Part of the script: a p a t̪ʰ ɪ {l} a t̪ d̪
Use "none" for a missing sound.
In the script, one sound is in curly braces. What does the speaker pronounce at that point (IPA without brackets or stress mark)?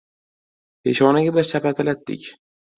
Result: l